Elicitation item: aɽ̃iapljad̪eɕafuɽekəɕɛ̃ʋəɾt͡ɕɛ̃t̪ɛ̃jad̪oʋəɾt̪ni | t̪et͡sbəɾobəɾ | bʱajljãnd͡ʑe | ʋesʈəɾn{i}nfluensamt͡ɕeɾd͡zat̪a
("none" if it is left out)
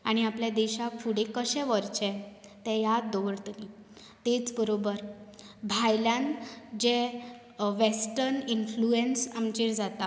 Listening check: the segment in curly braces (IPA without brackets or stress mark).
i